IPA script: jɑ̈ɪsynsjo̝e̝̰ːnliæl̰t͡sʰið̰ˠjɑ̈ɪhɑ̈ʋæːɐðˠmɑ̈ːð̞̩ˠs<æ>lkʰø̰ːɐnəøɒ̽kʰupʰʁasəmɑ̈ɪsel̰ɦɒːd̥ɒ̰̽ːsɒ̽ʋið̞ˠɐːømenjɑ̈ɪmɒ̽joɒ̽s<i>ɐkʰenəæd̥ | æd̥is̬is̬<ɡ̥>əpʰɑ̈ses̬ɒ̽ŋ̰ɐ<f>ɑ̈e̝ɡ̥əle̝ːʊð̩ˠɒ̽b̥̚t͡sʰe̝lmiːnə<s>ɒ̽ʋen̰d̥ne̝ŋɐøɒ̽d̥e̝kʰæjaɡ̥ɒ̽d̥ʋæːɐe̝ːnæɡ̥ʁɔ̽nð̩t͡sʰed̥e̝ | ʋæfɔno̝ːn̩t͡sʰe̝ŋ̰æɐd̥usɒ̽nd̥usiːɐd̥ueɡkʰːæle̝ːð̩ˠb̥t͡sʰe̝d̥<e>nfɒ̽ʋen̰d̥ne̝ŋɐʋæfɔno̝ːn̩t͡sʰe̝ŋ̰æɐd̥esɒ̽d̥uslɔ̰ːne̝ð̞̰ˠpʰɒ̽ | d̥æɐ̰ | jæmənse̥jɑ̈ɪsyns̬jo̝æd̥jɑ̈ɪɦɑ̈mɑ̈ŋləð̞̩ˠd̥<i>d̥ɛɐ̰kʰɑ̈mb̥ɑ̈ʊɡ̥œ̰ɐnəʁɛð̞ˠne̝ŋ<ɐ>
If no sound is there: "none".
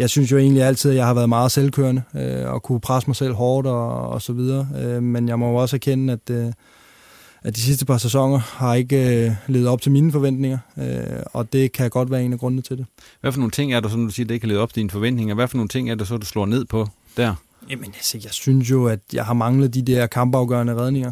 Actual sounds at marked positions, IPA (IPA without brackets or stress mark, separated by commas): e, æ, d̥, h, f, i, i, ɐ